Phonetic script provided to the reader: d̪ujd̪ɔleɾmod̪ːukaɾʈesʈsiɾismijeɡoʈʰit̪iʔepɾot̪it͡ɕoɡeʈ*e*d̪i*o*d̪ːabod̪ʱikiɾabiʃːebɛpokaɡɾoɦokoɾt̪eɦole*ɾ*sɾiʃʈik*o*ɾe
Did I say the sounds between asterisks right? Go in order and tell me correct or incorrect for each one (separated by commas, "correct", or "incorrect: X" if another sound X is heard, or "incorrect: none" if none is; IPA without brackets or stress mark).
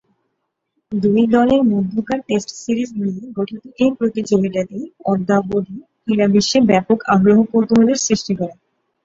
incorrect: a, incorrect: ɔ, correct, incorrect: ɔ